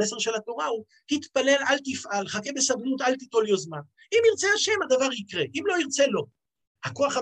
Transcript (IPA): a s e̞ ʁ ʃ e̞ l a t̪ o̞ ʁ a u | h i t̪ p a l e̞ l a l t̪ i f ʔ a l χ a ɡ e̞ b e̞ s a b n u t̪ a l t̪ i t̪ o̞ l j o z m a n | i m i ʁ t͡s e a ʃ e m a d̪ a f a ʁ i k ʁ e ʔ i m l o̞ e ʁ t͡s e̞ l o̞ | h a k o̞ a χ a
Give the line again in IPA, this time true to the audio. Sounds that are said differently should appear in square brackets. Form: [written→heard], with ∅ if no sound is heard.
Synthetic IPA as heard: [a→e] s e̞ ʁ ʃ e̞ l a t̪ o̞ ʁ a u | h i t̪ p a l e̞ l a l t̪ i f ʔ a l χ a [ɡ→k] e̞ b e̞ s a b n u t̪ a l t̪ i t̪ o̞ l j o z m a n | i m i ʁ t͡s e a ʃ e m a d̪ a [f→v] a ʁ i k ʁ e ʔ i m l o̞ [e→i] ʁ t͡s e̞ l o̞ | h a k o̞ a χ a